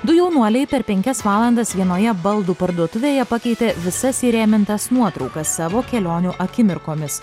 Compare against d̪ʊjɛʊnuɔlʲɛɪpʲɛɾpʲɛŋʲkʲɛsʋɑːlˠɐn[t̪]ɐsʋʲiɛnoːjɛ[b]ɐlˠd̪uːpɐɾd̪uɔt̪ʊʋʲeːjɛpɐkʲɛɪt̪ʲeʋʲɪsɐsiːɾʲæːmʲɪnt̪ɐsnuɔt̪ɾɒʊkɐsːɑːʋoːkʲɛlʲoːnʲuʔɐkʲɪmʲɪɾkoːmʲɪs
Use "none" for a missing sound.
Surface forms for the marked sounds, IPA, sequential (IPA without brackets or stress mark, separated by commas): d̪, b